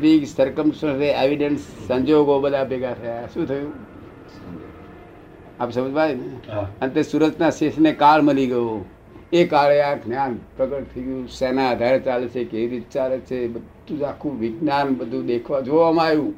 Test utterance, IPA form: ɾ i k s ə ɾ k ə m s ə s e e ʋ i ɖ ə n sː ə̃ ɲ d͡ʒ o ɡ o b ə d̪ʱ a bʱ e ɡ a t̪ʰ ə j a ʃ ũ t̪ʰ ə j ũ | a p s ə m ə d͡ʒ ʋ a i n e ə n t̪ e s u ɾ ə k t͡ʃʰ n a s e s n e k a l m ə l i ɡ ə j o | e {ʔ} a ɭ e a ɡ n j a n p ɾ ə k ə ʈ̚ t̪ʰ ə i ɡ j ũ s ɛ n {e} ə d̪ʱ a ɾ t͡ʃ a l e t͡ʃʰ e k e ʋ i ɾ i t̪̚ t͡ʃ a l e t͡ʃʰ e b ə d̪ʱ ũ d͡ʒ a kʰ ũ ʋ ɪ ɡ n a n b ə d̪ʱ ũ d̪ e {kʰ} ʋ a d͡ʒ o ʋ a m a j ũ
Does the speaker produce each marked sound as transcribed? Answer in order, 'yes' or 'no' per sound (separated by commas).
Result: no, no, yes